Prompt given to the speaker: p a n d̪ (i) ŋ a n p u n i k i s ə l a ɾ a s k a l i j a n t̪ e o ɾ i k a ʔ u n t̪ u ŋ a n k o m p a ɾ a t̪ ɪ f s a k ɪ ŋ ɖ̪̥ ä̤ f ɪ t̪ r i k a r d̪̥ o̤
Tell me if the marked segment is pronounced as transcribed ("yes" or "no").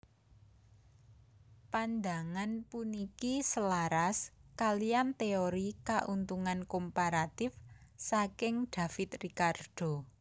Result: no